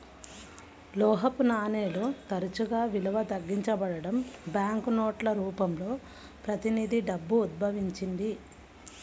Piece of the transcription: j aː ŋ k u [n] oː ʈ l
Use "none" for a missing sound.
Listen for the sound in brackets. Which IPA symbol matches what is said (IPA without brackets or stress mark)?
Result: n